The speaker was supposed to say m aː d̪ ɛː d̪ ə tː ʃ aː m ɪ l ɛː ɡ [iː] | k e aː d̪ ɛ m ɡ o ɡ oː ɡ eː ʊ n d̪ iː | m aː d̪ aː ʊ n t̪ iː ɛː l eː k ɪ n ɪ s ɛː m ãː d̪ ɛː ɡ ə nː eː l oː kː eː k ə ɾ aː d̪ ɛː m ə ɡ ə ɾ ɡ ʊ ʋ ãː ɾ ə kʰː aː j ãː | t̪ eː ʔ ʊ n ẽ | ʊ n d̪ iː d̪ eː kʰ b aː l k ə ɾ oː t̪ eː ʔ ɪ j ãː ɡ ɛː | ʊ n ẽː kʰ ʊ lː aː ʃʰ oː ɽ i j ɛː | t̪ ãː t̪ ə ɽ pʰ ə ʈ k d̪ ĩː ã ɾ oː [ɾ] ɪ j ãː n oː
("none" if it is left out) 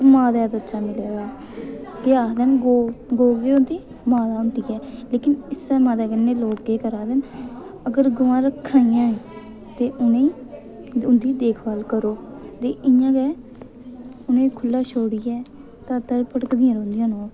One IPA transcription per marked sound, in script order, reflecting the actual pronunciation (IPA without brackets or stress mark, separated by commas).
aː, l